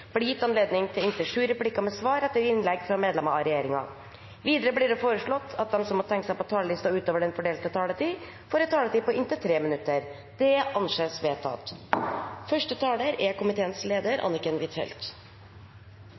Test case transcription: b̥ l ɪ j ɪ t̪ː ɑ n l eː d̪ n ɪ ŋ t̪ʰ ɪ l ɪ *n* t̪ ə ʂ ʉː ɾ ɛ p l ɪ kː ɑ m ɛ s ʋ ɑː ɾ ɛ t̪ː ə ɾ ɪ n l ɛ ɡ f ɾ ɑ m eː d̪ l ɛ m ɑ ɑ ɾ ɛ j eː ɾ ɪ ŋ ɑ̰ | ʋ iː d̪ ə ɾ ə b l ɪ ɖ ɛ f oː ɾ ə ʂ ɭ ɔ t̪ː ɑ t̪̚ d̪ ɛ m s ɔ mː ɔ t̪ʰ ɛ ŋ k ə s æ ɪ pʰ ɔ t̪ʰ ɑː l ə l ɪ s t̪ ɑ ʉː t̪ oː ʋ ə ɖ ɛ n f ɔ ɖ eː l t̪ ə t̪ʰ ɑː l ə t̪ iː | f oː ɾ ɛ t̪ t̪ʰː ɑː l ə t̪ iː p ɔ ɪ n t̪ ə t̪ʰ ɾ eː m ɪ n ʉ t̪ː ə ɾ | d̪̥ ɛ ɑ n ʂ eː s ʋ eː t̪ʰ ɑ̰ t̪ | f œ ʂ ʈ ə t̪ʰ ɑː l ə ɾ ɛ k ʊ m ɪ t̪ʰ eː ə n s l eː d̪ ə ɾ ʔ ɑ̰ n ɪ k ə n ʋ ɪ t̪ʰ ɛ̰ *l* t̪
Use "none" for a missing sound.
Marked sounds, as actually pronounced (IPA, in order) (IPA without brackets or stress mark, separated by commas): n, l